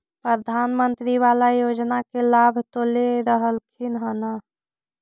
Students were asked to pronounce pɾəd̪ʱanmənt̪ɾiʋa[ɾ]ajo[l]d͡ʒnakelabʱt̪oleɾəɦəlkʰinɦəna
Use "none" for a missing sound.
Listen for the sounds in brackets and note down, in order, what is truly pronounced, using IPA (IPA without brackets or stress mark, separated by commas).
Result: l, none